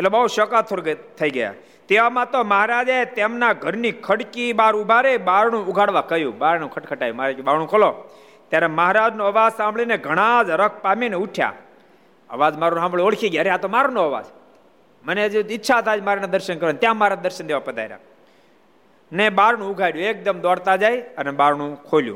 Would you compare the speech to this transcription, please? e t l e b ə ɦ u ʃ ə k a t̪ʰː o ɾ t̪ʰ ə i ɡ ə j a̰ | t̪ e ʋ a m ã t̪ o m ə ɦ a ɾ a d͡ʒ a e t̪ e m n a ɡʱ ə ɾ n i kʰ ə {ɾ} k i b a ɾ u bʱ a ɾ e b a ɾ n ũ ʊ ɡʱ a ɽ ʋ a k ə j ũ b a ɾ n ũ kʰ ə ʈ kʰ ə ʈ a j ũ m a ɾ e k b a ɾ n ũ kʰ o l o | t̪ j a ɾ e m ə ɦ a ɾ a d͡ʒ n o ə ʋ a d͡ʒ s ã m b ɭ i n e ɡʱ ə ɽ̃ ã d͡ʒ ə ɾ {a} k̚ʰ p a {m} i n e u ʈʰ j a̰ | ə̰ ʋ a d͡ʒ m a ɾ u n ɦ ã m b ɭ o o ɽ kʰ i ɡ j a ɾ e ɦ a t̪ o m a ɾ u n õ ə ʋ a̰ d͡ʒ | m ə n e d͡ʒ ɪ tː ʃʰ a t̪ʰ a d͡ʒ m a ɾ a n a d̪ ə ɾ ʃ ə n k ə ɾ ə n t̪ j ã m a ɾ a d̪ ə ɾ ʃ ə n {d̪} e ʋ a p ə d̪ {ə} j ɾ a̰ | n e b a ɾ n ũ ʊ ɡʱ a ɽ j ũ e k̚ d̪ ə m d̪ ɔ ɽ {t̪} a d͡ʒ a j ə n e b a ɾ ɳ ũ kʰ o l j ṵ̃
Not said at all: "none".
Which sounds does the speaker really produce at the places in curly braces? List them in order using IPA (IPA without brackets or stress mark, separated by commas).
ɽ, ə, m, d̪, a, t̪